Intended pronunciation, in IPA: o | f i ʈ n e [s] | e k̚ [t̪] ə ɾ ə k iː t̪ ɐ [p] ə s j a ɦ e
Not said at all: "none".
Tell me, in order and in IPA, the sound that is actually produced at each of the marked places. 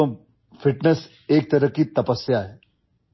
s, t̪, p

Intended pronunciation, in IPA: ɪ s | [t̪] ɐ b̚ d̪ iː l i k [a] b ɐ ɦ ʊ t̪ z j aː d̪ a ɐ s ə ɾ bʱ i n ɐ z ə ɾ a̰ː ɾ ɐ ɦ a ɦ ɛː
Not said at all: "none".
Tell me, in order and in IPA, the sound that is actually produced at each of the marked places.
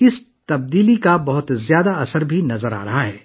t̪, a

